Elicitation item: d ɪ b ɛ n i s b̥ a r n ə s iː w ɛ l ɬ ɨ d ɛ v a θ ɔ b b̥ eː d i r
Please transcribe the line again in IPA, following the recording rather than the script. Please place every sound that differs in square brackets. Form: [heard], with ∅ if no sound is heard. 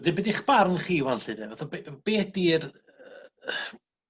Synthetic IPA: d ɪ b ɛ [d] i [χ] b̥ a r n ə [χ] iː w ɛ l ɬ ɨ d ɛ v a θ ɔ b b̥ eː d i r